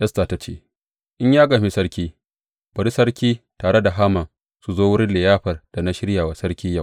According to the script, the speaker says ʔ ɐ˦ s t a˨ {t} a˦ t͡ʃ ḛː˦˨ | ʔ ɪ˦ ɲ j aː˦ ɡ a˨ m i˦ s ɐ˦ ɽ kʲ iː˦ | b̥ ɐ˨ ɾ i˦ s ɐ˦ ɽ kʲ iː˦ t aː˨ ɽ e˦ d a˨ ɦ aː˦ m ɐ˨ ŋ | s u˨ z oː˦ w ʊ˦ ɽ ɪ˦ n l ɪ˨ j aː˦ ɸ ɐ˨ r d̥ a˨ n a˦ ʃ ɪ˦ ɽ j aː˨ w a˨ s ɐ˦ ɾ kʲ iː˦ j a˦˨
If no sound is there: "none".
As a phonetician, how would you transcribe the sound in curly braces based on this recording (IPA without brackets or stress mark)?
t